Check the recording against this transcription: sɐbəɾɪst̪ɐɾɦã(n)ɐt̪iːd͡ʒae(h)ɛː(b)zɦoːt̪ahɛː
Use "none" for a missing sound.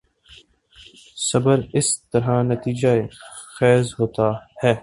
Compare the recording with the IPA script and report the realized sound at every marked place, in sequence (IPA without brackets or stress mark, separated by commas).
n, x, none